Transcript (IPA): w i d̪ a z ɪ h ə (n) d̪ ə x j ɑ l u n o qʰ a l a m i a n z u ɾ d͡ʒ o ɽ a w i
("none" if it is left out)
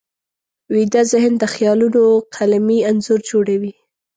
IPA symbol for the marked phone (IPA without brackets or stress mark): n